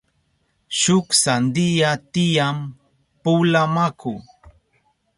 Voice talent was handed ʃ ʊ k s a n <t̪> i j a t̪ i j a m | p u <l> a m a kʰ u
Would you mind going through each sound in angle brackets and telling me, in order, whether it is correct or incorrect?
incorrect, correct

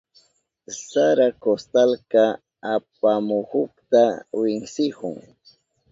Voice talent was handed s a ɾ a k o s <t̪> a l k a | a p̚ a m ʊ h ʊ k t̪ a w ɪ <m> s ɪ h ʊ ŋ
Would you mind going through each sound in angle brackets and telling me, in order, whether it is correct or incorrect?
correct, incorrect

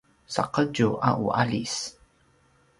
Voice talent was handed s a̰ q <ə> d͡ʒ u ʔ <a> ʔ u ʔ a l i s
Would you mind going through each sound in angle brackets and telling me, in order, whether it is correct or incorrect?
correct, correct

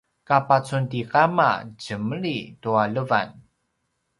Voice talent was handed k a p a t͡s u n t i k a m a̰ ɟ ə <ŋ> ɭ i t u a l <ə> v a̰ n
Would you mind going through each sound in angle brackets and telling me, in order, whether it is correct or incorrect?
incorrect, correct

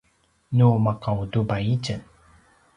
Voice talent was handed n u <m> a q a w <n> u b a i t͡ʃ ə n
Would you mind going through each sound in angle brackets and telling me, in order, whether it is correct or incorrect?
correct, incorrect

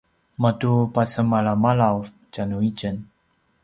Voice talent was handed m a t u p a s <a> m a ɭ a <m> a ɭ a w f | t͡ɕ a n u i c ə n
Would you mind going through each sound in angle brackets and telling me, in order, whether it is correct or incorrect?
incorrect, correct

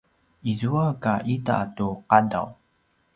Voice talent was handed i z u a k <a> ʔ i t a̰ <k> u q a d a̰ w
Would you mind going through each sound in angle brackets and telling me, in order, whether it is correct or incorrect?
correct, incorrect

